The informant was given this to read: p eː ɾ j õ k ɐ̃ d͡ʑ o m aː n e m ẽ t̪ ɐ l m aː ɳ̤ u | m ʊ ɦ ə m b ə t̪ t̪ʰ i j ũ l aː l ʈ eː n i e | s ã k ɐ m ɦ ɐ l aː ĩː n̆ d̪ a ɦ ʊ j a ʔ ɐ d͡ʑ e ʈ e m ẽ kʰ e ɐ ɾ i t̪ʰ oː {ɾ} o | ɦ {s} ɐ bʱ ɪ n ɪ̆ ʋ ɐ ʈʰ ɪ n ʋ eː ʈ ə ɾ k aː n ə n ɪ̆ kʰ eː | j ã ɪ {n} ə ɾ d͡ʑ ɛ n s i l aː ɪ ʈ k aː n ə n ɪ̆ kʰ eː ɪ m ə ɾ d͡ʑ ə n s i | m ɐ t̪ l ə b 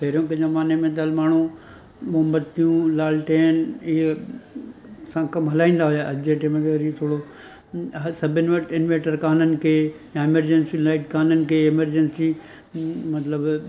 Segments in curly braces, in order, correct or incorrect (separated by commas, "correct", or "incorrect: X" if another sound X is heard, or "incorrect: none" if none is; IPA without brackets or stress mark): incorrect: ɽ, correct, incorrect: m